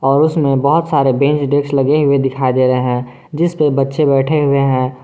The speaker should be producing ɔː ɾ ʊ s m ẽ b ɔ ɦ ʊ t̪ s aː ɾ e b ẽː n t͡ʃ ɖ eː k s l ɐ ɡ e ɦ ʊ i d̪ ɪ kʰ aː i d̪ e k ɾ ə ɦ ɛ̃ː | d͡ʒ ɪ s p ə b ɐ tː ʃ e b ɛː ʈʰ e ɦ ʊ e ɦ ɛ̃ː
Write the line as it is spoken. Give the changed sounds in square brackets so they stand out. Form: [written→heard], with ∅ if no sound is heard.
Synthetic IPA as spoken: ɔː ɾ ʊ s m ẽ b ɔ ɦ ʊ t̪ s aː ɾ e b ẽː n t͡ʃ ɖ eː k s l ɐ ɡ e ɦ ʊ [i→e] d̪ ɪ kʰ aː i d̪ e [k→∅] ɾ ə ɦ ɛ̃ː | d͡ʒ ɪ s p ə b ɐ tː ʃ e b ɛː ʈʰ e ɦ ʊ e ɦ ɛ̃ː